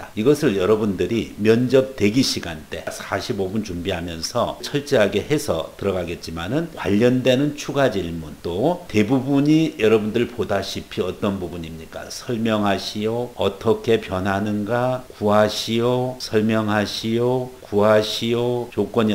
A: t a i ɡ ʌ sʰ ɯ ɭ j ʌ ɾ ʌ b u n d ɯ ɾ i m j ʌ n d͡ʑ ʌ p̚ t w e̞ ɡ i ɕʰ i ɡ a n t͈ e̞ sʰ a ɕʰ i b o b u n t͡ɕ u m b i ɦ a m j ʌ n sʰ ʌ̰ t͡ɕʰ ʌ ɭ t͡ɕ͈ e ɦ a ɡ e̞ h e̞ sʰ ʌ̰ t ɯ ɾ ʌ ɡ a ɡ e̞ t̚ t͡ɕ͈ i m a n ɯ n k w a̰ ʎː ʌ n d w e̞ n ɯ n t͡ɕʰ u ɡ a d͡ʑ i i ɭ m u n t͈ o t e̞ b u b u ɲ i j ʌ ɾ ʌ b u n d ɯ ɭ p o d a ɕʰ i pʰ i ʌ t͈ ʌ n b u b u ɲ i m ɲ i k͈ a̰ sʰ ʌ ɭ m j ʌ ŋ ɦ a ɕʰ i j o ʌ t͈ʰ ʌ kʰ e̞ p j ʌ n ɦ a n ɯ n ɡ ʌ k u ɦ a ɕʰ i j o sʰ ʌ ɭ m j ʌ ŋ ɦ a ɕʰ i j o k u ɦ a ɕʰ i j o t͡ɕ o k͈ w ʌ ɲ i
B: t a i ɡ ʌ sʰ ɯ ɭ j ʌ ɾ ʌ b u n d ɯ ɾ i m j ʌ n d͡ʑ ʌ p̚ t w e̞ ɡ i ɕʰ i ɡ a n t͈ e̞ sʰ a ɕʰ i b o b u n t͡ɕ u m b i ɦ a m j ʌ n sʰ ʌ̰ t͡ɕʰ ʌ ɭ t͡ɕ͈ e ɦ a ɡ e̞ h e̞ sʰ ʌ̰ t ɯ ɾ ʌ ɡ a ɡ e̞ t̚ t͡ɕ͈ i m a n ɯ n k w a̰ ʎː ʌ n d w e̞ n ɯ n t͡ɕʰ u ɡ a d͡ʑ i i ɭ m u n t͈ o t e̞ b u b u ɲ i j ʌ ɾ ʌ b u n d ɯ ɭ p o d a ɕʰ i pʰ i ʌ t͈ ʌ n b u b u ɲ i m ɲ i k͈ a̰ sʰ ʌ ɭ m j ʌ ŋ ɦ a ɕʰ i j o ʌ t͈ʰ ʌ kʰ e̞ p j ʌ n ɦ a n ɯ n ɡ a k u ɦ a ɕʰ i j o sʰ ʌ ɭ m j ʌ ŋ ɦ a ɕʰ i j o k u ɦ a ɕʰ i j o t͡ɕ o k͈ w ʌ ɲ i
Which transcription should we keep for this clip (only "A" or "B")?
B